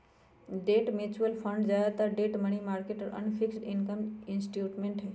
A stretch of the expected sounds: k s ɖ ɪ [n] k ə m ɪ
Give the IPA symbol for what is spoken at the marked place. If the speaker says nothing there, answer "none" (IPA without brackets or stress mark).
n